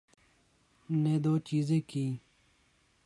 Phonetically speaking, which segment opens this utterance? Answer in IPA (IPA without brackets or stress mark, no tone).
n